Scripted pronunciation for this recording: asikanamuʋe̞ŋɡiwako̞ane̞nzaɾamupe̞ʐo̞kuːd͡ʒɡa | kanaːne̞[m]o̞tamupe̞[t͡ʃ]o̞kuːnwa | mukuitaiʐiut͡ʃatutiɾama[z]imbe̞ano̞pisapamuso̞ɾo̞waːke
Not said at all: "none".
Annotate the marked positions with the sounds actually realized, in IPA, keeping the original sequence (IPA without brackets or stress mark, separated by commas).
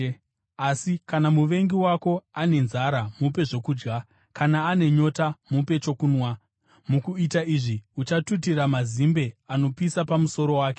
ɲ, t͡ʃ, z